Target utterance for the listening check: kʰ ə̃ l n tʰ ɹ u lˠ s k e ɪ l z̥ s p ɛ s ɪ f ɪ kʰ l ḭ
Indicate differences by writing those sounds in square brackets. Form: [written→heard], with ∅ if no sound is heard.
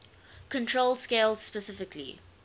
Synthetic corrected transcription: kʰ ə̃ [l→∅] n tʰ ɹ [u→o] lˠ s k e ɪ l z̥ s p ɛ s ɪ f ɪ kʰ l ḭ